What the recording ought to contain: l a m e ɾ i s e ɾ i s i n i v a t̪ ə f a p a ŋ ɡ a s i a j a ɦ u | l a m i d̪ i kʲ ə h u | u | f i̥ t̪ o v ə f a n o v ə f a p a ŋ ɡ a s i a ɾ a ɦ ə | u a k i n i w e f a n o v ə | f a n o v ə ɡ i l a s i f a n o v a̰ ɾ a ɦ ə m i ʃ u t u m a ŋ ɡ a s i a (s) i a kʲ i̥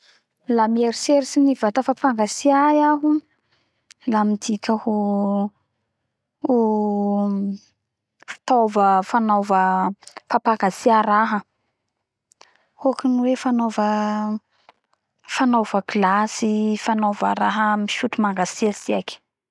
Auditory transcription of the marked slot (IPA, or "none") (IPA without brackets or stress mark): s